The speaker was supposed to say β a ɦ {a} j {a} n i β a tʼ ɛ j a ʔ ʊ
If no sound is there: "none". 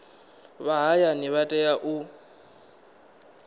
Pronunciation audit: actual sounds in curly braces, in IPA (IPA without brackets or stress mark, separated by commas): a, a